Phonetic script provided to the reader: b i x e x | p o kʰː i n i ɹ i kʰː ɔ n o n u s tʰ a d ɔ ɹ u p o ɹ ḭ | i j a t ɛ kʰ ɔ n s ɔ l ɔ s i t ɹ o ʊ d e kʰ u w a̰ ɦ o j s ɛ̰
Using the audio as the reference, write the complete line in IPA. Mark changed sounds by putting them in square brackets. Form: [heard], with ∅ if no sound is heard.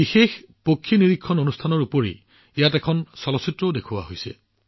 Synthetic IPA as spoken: b i x e x | p o kʰː i n i ɹ i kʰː ɔ n o n u s tʰ a [n] ɔ ɹ u p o ɹ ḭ | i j a t ɛ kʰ ɔ n s ɔ l ɔ s i t ɹ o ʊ d e kʰ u w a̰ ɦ o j s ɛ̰